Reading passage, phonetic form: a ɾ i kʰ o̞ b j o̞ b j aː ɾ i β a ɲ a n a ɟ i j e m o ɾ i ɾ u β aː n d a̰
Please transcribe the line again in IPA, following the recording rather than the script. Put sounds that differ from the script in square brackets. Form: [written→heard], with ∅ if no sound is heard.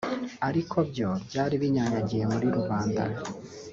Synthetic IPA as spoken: a ɾ i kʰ o̞ b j o̞ b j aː ɾ i β [a→i] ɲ a [n→ɲ] a ɟ i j e m [o→u] ɾ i ɾ u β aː n d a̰